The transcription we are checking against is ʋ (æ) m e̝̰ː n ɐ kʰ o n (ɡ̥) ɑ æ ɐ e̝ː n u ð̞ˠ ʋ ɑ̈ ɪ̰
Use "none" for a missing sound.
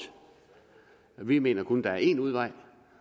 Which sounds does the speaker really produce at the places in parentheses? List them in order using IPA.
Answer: i, d̥

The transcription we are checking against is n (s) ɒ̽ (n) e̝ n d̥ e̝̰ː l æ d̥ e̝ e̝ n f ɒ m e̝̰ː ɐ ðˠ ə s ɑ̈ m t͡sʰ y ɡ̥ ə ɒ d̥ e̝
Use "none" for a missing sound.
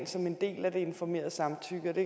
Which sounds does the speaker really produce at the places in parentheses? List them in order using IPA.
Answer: s, m

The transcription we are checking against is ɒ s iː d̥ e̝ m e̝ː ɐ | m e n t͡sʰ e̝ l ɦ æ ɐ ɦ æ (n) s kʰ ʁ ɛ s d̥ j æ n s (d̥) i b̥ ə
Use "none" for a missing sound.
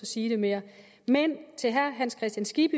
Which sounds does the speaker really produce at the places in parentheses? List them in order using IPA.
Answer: n, ɡ̥

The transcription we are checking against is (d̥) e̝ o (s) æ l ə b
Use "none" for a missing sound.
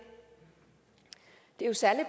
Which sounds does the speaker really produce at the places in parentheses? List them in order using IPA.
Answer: d̥, s

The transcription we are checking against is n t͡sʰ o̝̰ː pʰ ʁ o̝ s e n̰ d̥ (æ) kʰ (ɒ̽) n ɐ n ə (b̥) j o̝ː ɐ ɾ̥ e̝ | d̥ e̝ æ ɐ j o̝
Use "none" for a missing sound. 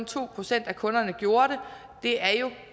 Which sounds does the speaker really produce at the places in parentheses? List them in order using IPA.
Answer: æ, ɔ̽, ɡ̥

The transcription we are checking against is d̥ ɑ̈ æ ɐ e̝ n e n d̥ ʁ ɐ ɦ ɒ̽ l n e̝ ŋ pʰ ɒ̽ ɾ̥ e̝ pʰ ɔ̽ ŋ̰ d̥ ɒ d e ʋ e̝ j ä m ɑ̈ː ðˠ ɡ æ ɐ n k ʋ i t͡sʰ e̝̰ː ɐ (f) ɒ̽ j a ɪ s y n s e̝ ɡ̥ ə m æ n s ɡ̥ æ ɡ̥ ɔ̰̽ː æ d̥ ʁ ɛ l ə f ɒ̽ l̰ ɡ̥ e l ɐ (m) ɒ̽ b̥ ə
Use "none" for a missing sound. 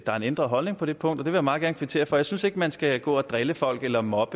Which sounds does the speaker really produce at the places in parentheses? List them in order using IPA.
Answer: f, m

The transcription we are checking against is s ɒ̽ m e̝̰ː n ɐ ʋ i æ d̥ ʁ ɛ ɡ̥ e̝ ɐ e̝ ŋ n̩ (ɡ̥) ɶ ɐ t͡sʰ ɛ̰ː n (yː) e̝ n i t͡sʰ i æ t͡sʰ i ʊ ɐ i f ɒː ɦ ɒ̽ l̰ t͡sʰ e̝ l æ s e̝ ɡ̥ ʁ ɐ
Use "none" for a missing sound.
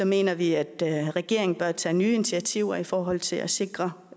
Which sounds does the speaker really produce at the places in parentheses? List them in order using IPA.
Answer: b̥, yː

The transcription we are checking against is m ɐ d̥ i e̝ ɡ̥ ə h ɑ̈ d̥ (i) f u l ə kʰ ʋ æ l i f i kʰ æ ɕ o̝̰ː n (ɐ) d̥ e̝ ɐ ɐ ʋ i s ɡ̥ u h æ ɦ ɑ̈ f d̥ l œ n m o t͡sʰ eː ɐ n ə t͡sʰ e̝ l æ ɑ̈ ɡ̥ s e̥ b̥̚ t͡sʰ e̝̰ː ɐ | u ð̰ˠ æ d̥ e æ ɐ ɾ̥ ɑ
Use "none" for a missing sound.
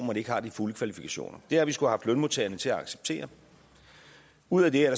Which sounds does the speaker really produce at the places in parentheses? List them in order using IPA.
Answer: i, ɐ

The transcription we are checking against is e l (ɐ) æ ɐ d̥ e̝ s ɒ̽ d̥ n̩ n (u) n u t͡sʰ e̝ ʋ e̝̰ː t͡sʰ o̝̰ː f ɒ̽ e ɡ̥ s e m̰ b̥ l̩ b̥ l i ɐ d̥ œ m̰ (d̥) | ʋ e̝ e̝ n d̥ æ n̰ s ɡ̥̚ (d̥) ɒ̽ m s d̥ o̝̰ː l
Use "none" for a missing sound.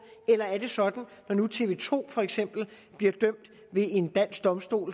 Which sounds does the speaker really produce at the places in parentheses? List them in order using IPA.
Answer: ɐ, ɒ, d̥, d̥

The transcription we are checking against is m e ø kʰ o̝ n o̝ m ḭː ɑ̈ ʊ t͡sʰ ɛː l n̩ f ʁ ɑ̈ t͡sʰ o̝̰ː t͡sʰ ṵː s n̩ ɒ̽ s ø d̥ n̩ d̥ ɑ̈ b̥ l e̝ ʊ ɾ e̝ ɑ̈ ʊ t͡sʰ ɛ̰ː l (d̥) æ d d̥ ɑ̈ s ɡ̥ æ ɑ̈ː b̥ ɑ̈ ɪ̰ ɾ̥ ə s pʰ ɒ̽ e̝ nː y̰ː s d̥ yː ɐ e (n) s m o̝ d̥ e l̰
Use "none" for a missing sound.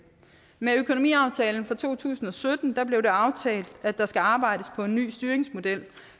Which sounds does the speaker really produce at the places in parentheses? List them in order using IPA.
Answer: d̥, ŋ

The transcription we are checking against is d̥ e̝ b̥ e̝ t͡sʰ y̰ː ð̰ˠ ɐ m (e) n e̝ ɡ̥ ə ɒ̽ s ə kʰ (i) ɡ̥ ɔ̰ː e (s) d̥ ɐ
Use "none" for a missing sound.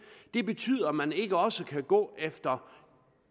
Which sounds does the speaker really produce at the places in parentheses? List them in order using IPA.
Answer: æ, æ, f

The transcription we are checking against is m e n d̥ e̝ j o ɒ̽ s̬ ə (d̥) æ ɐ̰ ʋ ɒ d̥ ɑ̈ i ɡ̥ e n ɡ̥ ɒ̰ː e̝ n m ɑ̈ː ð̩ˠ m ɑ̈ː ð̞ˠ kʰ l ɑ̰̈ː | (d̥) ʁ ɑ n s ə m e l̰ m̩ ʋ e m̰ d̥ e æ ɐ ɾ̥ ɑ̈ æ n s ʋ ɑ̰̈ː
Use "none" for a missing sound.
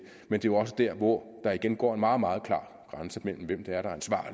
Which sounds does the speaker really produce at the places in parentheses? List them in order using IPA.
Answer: d̥, ɡ̥

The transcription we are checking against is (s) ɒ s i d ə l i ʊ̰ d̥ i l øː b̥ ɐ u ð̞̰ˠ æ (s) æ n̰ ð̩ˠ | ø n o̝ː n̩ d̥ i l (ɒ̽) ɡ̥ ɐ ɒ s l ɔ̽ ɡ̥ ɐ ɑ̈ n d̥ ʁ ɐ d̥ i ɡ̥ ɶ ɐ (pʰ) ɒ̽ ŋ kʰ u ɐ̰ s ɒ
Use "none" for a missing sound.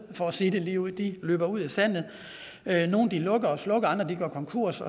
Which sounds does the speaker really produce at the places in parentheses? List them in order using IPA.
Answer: f, s, ɔ̽, kʰ

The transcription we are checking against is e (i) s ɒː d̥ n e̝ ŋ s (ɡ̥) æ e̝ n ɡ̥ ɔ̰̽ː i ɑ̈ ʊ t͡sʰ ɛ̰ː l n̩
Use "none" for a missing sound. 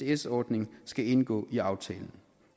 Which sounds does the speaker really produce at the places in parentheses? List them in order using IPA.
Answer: e, ɡ̥

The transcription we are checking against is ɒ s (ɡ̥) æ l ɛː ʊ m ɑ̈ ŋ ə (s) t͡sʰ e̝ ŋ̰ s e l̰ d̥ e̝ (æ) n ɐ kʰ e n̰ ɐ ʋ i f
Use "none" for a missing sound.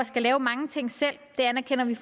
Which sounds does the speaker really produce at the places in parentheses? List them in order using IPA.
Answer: ɡ̥, none, æ

